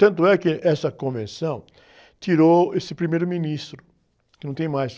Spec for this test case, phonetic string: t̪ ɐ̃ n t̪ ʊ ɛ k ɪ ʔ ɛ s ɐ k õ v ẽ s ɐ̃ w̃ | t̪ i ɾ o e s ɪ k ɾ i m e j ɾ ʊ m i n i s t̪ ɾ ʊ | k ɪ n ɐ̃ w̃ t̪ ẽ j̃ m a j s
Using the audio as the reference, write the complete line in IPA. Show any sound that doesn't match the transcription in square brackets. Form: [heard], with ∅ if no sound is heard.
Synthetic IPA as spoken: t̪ ɐ̃ n t̪ ʊ ɛ k ɪ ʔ ɛ s ɐ k õ v ẽ s ɐ̃ w̃ | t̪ i ɾ o e s ɪ [p] ɾ i m e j ɾ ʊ m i n i s t̪ ɾ ʊ | k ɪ n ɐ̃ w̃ t̪ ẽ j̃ m a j s